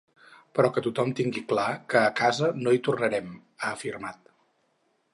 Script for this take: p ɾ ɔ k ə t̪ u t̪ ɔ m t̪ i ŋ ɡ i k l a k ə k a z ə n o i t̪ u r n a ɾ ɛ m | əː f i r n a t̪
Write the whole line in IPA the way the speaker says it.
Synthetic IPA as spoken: p ɾ ɔ k ə t̪ u t̪ ɔ m t̪ i ŋ ɡ i k l a k əː k a z ə n o i t̪ u r n ə ɾ ɛ m | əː f i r m a t̪